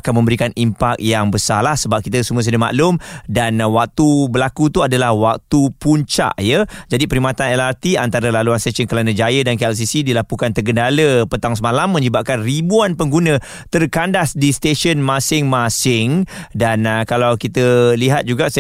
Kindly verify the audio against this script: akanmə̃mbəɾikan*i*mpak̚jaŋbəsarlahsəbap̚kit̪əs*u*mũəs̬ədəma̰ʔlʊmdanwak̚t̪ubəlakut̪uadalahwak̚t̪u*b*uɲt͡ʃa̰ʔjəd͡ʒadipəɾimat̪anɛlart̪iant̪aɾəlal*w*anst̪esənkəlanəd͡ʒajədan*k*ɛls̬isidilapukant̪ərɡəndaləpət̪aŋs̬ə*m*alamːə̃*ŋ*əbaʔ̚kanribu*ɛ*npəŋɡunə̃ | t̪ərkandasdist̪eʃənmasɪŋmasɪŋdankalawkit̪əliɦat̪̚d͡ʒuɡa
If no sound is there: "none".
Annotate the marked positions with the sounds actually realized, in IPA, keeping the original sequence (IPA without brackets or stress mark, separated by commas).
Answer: i, u, p, u, k, m, ɲ, a